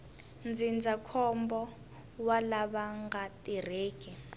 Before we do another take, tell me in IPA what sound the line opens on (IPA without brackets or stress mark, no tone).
n